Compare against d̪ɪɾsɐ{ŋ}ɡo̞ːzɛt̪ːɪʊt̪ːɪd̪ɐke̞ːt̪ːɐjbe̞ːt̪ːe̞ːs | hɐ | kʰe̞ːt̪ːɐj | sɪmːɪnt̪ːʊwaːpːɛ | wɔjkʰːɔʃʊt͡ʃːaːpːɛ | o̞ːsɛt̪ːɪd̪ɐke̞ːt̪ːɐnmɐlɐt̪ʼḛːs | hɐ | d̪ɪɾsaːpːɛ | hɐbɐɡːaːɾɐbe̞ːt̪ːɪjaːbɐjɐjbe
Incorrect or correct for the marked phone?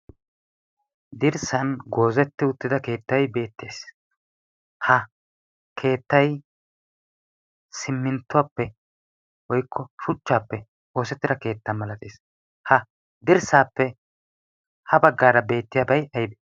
incorrect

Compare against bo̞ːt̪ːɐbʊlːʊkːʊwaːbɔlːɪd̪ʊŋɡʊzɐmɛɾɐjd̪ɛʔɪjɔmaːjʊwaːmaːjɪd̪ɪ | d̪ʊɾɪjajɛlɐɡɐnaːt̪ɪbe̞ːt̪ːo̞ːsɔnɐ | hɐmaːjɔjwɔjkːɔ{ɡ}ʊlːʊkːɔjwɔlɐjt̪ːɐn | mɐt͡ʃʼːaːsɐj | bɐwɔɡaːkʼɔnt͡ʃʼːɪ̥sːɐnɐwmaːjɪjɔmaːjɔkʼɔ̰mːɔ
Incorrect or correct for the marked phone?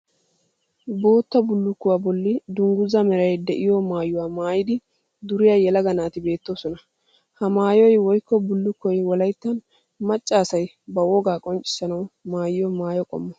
incorrect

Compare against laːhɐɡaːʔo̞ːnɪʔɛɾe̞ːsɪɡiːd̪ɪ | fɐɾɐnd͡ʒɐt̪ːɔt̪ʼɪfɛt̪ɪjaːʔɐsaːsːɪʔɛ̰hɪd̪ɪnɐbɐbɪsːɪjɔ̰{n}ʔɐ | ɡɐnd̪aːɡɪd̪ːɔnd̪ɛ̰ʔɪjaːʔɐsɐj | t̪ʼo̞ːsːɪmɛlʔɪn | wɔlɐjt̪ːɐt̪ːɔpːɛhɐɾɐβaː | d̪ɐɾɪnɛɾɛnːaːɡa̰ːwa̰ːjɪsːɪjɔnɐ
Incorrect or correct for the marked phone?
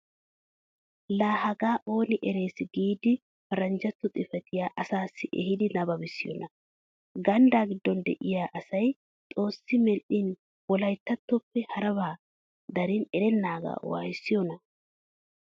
correct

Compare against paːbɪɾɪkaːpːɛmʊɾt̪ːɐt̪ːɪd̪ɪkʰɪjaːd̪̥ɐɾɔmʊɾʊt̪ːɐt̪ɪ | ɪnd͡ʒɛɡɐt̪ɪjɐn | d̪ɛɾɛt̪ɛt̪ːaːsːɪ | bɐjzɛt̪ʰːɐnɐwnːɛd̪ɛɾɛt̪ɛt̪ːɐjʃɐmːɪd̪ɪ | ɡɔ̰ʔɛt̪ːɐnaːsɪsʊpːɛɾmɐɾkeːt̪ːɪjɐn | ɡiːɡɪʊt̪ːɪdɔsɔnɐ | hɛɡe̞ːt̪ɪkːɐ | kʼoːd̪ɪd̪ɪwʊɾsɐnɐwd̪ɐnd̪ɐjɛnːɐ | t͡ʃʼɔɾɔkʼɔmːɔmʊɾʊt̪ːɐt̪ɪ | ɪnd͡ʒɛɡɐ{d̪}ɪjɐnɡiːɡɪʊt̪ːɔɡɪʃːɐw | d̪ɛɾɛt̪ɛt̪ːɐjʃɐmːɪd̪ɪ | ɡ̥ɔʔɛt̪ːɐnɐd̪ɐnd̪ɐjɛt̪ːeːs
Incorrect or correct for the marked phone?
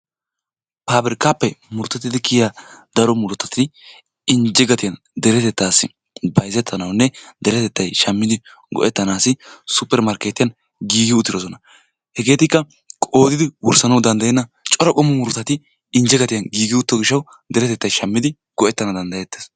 incorrect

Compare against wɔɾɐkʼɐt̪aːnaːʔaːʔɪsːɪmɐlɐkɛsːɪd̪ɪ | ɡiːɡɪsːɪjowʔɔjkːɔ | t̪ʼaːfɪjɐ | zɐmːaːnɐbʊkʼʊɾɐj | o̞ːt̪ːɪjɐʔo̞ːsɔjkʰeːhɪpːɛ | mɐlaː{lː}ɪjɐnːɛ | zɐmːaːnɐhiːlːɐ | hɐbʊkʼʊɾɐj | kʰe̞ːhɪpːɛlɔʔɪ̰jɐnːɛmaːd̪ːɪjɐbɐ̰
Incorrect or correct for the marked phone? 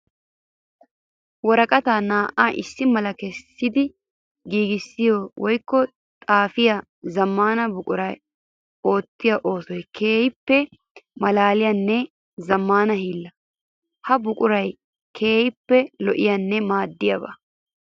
incorrect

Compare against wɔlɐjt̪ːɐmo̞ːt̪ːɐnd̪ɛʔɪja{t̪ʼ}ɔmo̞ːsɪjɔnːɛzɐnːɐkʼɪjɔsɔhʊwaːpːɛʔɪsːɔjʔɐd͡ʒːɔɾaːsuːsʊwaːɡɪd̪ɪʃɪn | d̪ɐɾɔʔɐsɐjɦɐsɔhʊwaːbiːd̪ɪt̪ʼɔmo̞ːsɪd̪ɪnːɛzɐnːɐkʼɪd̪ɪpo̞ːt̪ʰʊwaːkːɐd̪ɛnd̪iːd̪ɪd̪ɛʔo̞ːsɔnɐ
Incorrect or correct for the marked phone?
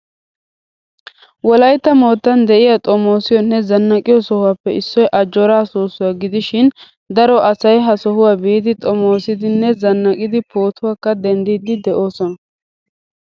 correct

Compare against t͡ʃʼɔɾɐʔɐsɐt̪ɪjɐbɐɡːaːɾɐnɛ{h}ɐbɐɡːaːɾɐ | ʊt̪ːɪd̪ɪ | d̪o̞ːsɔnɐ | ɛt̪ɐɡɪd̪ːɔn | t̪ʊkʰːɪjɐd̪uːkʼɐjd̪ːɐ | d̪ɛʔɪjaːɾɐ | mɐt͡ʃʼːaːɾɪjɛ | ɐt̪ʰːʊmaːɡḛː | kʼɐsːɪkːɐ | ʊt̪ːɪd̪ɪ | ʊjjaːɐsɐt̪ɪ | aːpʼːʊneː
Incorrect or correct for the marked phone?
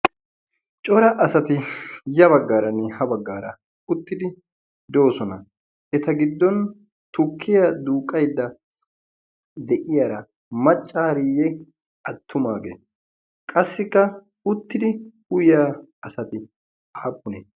correct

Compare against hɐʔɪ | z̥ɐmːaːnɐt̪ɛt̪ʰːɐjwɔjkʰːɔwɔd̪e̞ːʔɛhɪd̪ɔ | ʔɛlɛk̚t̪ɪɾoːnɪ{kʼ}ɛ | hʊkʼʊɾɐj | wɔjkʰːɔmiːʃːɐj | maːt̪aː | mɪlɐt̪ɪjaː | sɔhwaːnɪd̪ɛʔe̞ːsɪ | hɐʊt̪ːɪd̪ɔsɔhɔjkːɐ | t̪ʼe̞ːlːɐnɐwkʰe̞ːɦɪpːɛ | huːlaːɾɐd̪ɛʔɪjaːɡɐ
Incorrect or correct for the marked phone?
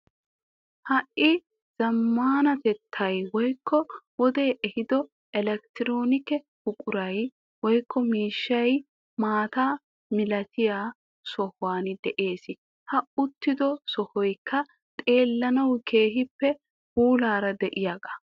incorrect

